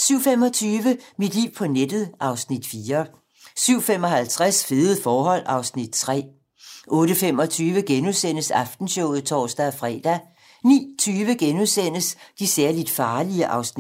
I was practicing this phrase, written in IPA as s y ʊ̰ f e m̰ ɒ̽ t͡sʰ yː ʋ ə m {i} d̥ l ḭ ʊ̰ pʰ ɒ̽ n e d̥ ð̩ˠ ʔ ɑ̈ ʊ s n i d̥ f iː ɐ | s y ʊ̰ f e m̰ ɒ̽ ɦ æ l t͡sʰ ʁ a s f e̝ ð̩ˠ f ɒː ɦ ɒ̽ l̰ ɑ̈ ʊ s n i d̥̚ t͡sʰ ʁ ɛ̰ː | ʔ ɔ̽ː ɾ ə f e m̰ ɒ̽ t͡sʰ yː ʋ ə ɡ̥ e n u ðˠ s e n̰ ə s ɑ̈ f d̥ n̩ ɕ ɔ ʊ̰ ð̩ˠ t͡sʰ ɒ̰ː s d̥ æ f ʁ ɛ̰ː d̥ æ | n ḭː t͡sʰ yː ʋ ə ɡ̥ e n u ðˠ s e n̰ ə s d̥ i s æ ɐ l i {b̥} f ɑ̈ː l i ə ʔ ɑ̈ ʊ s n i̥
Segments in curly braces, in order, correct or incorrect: correct, incorrect: d̥

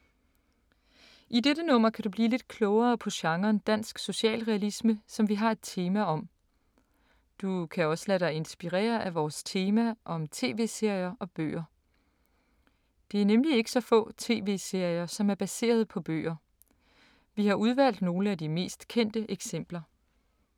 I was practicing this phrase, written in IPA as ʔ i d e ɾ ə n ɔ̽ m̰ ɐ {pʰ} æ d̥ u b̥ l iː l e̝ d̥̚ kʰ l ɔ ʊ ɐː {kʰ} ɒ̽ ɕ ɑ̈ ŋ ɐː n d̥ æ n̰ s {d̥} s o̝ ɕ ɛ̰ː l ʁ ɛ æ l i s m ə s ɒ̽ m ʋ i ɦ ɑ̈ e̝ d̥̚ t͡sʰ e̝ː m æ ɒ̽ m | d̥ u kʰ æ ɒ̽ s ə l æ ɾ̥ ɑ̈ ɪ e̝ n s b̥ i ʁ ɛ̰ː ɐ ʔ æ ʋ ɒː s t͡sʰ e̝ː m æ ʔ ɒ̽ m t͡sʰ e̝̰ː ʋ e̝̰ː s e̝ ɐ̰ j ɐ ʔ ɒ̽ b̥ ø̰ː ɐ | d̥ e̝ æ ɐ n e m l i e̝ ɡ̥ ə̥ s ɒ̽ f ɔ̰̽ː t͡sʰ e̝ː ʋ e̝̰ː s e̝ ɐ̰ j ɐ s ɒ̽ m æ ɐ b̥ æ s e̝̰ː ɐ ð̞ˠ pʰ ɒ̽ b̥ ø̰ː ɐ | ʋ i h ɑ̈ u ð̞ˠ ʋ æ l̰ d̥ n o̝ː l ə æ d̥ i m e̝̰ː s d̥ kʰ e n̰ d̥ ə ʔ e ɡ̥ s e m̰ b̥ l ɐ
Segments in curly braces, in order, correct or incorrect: incorrect: kʰ, incorrect: pʰ, incorrect: ɡ̥

